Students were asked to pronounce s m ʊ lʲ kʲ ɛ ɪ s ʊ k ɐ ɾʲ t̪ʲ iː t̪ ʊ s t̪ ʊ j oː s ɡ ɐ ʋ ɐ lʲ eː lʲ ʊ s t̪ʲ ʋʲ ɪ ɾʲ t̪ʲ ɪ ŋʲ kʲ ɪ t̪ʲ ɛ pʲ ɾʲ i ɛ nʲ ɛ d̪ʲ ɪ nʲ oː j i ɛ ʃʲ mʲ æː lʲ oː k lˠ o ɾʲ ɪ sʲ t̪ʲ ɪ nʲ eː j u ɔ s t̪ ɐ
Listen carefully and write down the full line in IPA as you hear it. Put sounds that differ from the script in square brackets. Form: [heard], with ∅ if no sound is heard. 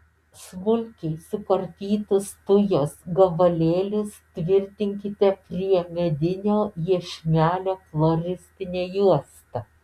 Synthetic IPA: s m ʊ lʲ kʲ ɛ ɪ s ʊ k ɐ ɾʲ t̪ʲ iː t̪ ʊ s t̪ ʊ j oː s ɡ ɐ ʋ ɐ lʲ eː lʲ ʊ s t̪ʲ ʋʲ ɪ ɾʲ t̪ʲ ɪ ŋʲ kʲ ɪ t̪ʲ ɛ pʲ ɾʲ i ɛ [mʲ] ɛ d̪ʲ ɪ nʲ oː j i ɛ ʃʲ mʲ æː lʲ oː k lˠ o ɾʲ ɪ sʲ t̪ʲ ɪ nʲ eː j u ɔ s t̪ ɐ